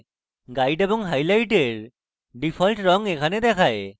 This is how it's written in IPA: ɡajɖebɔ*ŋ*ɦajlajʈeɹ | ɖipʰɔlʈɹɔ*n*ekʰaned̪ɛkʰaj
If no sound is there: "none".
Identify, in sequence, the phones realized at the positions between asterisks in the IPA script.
ŋ, ŋ

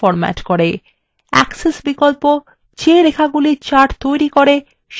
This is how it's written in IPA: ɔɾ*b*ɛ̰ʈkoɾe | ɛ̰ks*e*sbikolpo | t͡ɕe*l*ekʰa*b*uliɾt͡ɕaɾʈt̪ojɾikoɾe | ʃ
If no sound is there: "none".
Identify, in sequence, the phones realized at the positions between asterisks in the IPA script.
m, e, ɾ, ɡ

